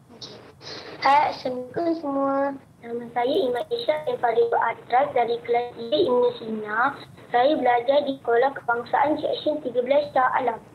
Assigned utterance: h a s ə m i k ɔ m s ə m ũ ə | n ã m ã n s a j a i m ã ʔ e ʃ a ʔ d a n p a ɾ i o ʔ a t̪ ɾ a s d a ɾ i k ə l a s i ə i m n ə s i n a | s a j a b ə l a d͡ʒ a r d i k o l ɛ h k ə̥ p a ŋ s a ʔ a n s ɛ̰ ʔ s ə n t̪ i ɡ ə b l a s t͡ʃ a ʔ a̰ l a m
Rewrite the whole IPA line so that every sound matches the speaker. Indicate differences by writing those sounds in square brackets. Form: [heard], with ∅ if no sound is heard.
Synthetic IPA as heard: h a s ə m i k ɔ [n] s ə m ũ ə | n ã m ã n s a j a i m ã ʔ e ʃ a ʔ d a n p a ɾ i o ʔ a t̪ ɾ a s d a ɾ i k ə l a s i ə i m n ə s i n a | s a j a b ə l a d͡ʒ a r d i k o l [a] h k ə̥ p a ŋ s a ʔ a n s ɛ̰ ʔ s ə n t̪ i ɡ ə b l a s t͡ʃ a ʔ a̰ l a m